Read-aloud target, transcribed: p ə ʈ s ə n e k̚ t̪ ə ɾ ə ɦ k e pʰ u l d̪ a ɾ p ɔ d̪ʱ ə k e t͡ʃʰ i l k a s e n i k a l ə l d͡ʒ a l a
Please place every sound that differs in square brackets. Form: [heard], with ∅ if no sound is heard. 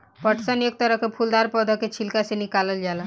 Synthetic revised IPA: p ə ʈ s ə n e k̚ t̪ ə ɾ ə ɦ k e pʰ u l d̪ a ɾ p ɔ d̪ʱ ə k e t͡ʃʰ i l k a s e n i k a l ə l d͡ʒ a l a